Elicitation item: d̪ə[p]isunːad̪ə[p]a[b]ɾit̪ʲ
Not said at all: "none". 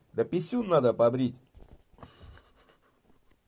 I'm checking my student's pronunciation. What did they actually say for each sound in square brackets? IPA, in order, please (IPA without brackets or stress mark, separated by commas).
p, p, b